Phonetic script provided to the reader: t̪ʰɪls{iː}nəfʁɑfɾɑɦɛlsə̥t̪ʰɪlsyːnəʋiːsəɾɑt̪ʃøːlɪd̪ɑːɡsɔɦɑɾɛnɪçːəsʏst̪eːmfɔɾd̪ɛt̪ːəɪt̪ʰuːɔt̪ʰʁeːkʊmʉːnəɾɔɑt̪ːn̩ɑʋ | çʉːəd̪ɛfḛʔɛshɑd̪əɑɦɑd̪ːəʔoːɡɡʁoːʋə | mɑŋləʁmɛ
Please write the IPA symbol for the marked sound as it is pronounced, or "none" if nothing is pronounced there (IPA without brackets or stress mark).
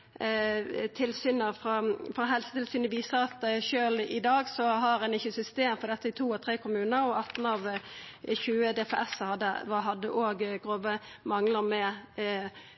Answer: yː